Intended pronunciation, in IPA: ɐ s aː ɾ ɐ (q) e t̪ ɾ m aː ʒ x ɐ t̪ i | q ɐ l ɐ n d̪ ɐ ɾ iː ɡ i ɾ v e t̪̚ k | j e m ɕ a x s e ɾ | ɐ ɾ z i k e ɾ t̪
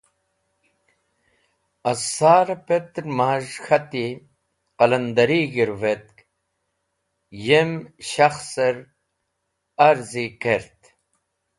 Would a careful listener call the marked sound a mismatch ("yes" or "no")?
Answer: yes